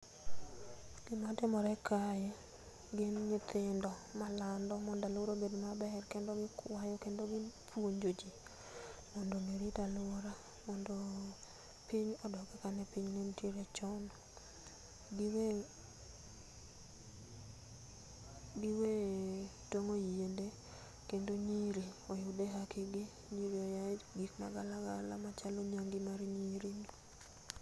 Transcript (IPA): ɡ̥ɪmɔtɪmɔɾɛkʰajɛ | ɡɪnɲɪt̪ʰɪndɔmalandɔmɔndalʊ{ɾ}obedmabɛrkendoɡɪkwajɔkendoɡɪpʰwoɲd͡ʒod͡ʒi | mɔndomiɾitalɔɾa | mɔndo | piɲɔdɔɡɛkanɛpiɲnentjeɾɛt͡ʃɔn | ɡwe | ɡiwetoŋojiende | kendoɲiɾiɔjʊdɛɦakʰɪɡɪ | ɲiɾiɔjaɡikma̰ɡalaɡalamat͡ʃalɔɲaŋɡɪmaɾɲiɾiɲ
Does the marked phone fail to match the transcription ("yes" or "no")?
no